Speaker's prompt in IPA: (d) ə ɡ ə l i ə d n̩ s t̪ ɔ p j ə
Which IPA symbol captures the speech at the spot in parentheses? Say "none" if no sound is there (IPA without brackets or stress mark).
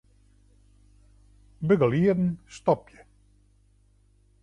b